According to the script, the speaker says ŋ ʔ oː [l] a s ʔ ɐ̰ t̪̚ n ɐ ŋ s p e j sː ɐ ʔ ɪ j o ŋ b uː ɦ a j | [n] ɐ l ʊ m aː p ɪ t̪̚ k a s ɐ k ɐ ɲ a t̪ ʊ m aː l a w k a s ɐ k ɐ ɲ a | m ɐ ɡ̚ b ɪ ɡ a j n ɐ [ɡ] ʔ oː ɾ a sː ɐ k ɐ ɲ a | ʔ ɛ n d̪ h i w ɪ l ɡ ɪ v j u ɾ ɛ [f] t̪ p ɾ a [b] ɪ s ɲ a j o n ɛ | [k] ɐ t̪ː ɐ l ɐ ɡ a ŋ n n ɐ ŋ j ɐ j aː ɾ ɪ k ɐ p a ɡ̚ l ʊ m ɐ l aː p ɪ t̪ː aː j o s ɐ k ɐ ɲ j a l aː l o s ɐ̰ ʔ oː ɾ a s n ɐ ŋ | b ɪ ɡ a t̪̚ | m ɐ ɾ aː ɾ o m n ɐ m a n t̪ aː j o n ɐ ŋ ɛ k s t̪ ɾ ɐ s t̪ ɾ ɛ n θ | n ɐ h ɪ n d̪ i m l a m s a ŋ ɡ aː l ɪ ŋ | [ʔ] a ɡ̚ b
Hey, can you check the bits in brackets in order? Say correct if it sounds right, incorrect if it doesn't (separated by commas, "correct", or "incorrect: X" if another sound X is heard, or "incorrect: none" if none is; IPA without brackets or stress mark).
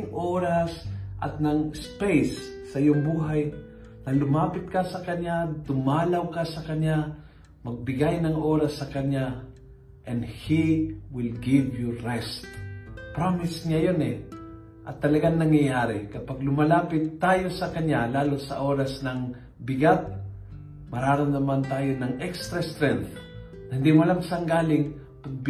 incorrect: ɾ, correct, incorrect: ŋ, incorrect: s, incorrect: m, incorrect: ʔ, incorrect: p